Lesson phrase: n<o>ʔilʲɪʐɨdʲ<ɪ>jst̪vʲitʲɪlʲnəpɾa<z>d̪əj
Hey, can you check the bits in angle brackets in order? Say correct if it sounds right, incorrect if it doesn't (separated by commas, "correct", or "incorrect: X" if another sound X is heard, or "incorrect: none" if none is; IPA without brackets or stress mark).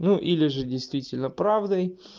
incorrect: u, correct, incorrect: v